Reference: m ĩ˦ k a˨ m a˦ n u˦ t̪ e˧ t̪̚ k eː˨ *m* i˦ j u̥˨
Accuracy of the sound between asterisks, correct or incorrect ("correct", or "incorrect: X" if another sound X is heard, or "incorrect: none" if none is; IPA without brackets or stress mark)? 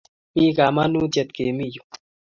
correct